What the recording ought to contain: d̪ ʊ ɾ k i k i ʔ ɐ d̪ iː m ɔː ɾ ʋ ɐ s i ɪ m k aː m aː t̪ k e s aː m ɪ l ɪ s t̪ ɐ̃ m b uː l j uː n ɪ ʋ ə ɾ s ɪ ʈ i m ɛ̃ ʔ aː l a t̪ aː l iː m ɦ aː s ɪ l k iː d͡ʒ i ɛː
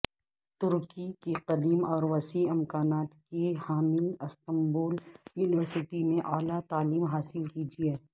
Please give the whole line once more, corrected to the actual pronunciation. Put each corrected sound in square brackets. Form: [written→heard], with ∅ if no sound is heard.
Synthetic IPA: [d̪→t̪] ʊ ɾ k i k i [ʔ→q] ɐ d̪ iː m ɔː ɾ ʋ ɐ s i ɪ m k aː [m→n] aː t̪ k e [s→h] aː m ɪ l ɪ s t̪ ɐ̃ m b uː l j uː n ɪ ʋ ə ɾ s ɪ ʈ i m [ɛ̃→ẽ] ʔ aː l a t̪ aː l iː m ɦ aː s ɪ l k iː d͡ʒ i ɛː